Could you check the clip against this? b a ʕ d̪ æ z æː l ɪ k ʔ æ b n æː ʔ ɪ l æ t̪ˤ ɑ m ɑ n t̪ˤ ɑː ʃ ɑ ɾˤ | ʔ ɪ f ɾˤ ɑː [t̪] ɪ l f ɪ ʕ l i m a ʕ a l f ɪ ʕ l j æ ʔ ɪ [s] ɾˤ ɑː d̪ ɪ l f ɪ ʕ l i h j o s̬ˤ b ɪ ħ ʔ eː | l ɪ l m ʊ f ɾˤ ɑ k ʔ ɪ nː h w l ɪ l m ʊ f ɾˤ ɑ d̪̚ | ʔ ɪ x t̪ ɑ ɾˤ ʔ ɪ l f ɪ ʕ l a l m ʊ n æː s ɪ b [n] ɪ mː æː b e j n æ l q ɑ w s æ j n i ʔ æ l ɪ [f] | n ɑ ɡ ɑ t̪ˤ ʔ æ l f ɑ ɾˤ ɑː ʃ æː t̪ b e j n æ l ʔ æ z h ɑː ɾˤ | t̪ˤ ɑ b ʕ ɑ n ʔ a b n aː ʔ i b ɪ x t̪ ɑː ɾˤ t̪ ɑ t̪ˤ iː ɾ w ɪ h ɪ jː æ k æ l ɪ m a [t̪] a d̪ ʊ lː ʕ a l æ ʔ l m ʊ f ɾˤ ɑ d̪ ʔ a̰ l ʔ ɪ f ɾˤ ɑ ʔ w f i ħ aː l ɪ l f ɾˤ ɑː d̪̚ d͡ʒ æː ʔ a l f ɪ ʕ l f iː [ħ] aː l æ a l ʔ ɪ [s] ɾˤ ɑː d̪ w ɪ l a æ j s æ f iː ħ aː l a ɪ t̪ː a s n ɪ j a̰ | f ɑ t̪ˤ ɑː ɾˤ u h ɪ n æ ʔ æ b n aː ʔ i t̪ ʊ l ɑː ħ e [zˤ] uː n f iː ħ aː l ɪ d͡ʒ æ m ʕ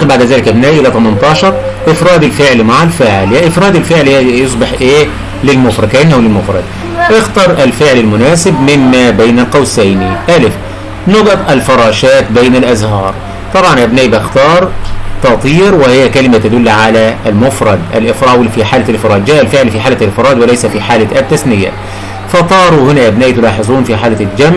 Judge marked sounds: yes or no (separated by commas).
no, no, no, yes, yes, yes, no, yes